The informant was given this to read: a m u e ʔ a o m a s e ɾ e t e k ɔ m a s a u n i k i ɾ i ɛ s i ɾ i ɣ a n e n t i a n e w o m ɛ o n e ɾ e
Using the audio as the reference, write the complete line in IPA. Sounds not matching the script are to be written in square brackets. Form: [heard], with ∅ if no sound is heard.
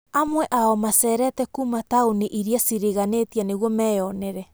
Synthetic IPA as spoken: a m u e ʔ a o m a s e ɾ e t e k [u] m a [t] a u n i [ʔ] i ɾ i [a] s i ɾ i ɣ a n e [∅] t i a n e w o m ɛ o n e ɾ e